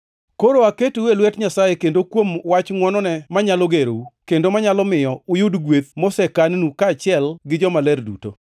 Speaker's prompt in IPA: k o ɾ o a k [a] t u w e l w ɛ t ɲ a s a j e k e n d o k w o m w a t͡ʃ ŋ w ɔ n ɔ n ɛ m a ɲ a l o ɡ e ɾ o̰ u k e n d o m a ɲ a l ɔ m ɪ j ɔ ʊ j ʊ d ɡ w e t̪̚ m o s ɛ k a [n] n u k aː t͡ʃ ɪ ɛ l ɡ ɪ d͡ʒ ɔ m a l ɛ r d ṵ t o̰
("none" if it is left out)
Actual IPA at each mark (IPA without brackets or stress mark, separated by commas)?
e, n